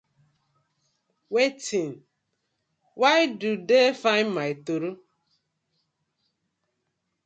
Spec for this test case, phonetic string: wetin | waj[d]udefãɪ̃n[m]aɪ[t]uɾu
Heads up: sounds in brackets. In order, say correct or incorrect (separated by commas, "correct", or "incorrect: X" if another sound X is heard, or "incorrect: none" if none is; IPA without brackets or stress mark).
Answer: correct, correct, correct